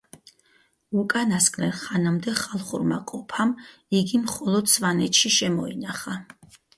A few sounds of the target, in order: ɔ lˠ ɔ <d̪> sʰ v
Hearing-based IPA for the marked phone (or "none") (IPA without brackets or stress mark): d̪